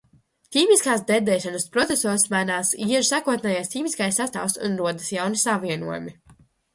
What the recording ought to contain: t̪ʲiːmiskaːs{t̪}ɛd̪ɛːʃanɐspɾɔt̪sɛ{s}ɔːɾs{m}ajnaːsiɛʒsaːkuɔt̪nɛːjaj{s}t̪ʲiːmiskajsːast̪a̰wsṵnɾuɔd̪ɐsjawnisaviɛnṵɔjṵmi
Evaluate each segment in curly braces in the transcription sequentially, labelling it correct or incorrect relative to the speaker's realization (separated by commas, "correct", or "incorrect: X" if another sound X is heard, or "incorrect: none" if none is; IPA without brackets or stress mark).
incorrect: d̪, correct, correct, correct